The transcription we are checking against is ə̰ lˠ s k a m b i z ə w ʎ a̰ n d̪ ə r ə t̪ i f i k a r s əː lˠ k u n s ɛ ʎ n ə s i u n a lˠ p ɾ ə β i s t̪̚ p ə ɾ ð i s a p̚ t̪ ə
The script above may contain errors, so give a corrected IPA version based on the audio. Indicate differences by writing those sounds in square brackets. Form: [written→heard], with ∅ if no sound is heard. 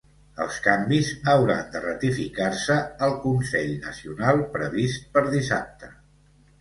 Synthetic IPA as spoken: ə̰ lˠ s k a m b i z ə w [ʎ→ɾ] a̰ n d̪ ə r ə t̪ i f i k a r s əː lˠ k u n s ɛ ʎ n ə s i u n a lˠ p ɾ ə β i s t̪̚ p ə ɾ ð i s a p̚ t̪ ə

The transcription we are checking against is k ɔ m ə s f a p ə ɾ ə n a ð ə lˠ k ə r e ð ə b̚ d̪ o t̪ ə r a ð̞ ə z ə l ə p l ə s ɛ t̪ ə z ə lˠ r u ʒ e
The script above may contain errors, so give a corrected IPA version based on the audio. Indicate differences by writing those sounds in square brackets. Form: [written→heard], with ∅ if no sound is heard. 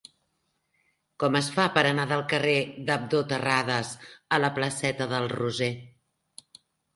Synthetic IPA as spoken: k ɔ m ə s f a p ə ɾ ə n a ð ə lˠ k ə r e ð ə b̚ d̪ o t̪ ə r a ð̞ ə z ə l ə p l ə s ɛ t̪ ə [z→ð] ə lˠ r u [ʒ→z] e

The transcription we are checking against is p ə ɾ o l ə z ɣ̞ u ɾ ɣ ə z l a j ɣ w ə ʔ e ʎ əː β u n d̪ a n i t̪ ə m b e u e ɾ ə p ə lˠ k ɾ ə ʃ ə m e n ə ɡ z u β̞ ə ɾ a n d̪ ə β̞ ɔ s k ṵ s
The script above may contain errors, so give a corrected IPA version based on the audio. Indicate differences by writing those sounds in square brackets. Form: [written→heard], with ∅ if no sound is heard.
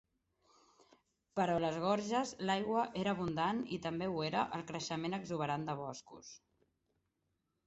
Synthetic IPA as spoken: p ə ɾ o l ə z ɣ̞ [u→ɔ] ɾ [ɣ→ʒ] ə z l a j ɣ w ə ʔ e [ʎ→ɾ] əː β u n d̪ a n i t̪ ə m b e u e ɾ ə [p→ʔ] ə lˠ k ɾ ə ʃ ə m e n ə ɡ z u β̞ ə ɾ a n d̪ ə β̞ ɔ s k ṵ s

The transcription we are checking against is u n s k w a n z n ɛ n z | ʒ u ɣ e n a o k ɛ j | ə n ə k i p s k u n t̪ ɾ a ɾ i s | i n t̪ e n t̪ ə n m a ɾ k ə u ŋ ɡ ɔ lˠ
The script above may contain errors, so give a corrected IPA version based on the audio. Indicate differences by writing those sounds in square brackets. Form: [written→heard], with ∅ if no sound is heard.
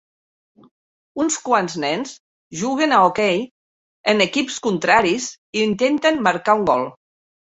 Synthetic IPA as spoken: u n s k w a n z n ɛ n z | ʒ u ɣ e n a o k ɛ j | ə n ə k i p s k u n t̪ ɾ a ɾ i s | i n t̪ e n t̪ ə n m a ɾ k [ə→a] u ŋ ɡ ɔ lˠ

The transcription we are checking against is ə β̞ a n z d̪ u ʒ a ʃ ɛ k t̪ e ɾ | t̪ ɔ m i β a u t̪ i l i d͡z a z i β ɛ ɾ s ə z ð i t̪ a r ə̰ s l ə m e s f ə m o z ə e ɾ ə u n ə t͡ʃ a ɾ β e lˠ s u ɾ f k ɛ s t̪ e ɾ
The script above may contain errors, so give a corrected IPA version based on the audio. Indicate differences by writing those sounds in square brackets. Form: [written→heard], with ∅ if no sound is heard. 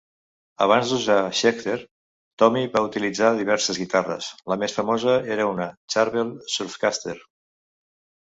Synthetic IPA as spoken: ə β̞ a n z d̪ u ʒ a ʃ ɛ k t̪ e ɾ | t̪ ɔ m i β a u t̪ i l i d͡z a [z→ð] i β ɛ ɾ s ə z [ð→ɣ] i t̪ a r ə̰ s l ə m e s f ə m o z ə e ɾ ə u n ə t͡ʃ a ɾ β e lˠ s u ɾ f k [ɛ→a] s t̪ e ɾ

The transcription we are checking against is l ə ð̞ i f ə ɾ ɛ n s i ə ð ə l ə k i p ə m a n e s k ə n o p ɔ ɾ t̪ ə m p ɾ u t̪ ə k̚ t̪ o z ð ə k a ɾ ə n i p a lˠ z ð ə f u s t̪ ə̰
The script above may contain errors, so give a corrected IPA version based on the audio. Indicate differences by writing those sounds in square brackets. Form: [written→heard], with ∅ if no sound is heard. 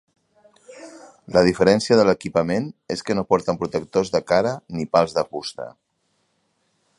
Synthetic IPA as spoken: l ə ð̞ i f ə ɾ ɛ n s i ə ð ə l ə k i p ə m [a→e] n e s k ə n o p ɔ ɾ t̪ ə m p ɾ u t̪ ə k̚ t̪ o z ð ə k a ɾ ə n i p a lˠ z ð ə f u s t̪ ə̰

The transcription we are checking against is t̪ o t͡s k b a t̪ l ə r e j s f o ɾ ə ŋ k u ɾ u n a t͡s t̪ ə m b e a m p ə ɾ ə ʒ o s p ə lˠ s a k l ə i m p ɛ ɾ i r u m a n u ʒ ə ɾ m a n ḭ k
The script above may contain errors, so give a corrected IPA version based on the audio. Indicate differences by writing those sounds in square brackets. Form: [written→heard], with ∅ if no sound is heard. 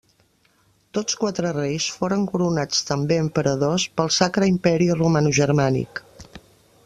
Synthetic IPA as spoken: t̪ o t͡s k [b→w] a t̪ [l→ɾ] ə r e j s f o ɾ ə ŋ k u ɾ u n a t͡s t̪ ə m b e [a→ə] m p ə ɾ ə [ʒ→ð] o s p ə lˠ s a k [l→ɾ] ə i m p ɛ ɾ i r u m a n u ʒ ə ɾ m a n ḭ k

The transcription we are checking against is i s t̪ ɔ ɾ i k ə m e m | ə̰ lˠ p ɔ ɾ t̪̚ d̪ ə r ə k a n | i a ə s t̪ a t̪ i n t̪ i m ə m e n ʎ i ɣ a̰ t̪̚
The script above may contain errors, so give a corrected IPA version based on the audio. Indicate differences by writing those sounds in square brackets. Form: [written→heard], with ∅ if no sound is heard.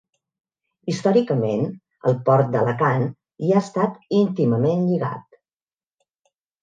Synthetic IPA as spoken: i s t̪ ɔ ɾ i k ə m e [m→n] | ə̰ lˠ p ɔ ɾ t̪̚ d̪ ə [r→l] ə k a n | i a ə s t̪ a t̪ i n t̪ i m ə m e n ʎ i ɣ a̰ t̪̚

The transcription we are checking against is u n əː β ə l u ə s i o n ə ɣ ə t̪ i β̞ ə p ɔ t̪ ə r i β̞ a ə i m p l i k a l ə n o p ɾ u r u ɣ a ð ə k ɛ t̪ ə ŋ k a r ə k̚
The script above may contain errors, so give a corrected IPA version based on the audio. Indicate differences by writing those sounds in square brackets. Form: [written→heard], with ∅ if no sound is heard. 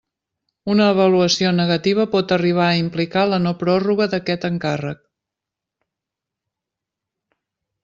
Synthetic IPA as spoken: u n əː β ə l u ə s i o n ə ɣ ə t̪ i β̞ ə p ɔ t̪ ə r i β̞ a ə i m p l i k a l ə n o p ɾ [u→ɔ] r u ɣ [a→ə] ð ə k ɛ t̪ ə ŋ k a r ə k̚

